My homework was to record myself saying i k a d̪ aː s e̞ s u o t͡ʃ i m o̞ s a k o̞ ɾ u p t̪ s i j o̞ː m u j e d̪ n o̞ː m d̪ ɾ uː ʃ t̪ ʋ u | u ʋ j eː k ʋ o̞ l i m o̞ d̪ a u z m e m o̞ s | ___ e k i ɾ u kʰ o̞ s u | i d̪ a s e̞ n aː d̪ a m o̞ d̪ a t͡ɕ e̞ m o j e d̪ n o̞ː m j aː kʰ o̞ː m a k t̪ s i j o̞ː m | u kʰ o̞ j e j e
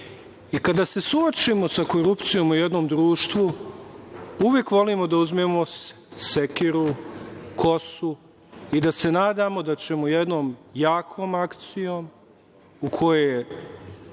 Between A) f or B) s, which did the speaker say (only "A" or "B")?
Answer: B